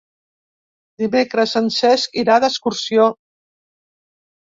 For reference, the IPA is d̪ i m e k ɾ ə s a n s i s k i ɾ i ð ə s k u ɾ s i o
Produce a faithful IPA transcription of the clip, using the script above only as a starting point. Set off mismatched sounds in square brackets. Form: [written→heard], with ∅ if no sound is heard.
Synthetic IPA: d̪ i m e k ɾ ə s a n s [i→ɛ] s k i ɾ [i→a] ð ə s k u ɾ s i o